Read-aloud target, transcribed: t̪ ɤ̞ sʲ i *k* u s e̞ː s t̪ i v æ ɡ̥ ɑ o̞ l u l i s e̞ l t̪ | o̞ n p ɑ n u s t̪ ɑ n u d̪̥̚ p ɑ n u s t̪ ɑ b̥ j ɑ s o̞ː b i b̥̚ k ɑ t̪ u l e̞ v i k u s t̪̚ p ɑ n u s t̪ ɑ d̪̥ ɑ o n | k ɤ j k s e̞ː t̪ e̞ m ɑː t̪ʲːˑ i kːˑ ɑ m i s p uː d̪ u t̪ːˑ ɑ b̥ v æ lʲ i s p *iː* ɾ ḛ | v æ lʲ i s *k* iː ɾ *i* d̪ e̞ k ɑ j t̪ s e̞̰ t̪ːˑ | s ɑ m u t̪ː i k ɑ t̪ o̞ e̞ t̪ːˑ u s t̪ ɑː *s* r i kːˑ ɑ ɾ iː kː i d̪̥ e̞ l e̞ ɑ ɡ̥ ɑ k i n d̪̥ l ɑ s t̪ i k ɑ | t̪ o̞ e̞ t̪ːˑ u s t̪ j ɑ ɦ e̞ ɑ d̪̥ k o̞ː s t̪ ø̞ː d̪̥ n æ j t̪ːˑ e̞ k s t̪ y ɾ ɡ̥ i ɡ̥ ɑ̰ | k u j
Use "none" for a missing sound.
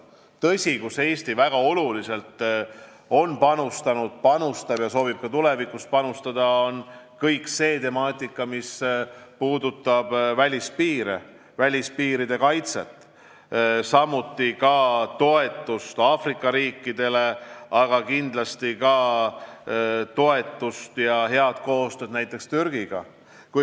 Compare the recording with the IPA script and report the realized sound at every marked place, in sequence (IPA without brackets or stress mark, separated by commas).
k, iː, p, i, f